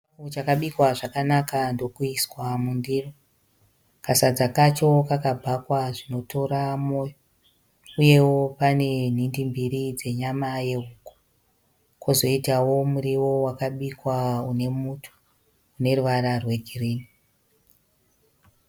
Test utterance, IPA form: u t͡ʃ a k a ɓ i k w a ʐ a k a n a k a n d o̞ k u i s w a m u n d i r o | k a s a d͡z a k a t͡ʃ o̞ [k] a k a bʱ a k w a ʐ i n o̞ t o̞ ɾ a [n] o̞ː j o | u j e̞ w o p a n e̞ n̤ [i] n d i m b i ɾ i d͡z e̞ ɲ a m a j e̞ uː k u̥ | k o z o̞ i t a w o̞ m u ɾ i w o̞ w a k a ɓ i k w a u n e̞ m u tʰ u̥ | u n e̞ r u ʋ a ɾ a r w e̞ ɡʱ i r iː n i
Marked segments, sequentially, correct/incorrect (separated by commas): correct, incorrect, correct